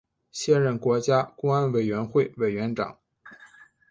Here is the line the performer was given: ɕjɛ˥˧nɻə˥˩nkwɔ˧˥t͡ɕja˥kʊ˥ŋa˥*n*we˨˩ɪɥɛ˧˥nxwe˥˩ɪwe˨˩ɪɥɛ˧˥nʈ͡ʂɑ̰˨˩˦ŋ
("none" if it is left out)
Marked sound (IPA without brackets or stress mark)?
n